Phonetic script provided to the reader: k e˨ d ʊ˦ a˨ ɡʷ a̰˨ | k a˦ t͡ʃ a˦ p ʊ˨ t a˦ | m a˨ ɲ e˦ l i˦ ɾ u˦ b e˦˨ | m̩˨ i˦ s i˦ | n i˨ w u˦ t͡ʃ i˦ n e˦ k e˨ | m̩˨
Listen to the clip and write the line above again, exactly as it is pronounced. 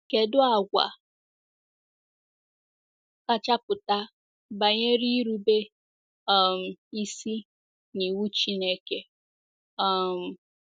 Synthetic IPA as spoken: k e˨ d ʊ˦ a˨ ɡʷ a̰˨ | k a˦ t͡ʃ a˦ p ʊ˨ t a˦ | b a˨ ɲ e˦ ɾ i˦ ɾ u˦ b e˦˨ | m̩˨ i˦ s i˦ | n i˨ w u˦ t͡ʃ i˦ n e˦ k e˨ | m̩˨